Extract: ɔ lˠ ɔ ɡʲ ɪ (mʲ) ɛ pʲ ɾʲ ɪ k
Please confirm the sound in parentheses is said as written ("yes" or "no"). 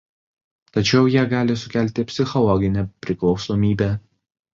no